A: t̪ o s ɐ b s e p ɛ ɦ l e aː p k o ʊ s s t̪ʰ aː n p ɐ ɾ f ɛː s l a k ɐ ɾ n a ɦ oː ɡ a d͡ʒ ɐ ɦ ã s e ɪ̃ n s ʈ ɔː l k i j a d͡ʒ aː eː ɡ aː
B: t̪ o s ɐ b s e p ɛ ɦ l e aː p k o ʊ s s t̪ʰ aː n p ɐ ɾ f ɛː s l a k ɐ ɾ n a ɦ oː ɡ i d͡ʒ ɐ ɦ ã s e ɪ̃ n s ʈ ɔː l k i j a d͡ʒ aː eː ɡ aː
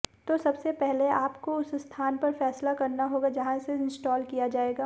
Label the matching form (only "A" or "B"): A